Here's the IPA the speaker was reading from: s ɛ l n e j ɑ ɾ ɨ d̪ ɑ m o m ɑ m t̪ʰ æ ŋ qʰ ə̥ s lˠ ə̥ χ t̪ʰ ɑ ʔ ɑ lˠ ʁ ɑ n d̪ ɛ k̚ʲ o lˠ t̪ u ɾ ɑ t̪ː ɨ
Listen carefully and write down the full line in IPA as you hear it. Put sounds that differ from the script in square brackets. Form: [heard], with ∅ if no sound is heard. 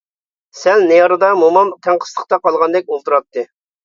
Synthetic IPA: s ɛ l n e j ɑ ɾ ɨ d̪ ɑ m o m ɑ m t̪ʰ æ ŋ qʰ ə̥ s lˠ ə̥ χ [t̪] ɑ [q] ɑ lˠ ʁ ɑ n d̪ ɛ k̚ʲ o lˠ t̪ u ɾ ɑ t̪ː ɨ